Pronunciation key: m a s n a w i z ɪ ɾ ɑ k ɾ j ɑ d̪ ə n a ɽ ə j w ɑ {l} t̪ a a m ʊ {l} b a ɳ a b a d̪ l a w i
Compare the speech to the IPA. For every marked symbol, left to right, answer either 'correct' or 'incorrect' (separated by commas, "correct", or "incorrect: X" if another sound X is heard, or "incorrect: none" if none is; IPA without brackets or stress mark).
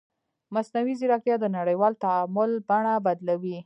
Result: correct, correct